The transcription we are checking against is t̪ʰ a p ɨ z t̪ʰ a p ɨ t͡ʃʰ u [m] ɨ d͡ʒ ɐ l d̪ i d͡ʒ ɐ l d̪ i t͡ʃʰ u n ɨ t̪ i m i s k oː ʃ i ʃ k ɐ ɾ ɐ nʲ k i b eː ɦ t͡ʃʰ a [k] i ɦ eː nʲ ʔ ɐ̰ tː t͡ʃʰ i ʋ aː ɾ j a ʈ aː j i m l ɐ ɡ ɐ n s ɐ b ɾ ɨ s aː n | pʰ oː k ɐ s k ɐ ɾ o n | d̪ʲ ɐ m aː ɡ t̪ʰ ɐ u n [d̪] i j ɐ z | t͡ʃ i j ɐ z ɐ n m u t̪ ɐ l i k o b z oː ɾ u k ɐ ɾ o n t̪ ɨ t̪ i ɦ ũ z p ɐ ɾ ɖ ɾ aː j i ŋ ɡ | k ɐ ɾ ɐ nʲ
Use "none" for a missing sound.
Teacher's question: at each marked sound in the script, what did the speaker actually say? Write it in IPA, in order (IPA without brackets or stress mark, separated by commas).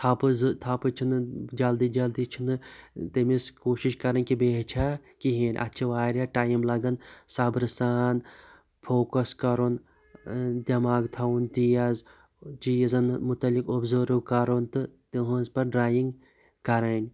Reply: n, k, t̪